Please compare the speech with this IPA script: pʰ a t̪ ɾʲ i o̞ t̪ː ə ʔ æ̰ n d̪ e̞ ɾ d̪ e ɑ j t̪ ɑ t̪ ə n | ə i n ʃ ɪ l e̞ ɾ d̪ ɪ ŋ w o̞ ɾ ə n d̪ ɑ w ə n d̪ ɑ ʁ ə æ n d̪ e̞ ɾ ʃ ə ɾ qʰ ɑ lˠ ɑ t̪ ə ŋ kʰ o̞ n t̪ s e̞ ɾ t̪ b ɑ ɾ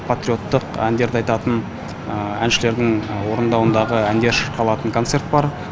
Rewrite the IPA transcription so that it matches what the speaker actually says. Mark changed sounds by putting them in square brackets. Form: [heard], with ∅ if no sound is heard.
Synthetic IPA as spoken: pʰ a t̪ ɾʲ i o̞ t̪ː ə [q] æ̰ n d̪ e̞ ɾ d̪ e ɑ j t̪ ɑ t̪ ə n | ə [æ] n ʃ ɪ l e̞ ɾ d̪ ɪ ŋ w o̞ ɾ ə n d̪ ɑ w ə n d̪ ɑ ʁ ə æ n d̪ e̞ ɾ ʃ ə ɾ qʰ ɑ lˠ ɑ t̪ ə ŋ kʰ o̞ n t̪ s e̞ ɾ t̪ b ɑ ɾ